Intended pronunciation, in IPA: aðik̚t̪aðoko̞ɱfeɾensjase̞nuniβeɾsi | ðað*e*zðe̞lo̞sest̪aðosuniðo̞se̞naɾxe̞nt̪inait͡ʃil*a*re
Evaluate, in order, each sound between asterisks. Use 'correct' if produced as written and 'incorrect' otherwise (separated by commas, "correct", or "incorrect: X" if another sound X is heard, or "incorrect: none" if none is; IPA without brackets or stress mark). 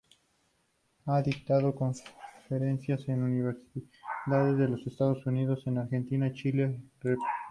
correct, incorrect: e